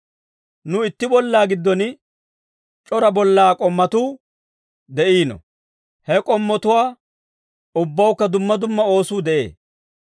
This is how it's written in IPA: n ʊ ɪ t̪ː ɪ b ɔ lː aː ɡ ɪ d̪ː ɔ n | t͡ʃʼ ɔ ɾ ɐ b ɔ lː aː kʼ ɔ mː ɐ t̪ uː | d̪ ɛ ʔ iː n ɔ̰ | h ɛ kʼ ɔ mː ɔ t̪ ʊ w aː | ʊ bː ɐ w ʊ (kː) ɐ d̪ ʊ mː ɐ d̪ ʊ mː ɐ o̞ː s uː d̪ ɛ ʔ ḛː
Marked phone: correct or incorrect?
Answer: correct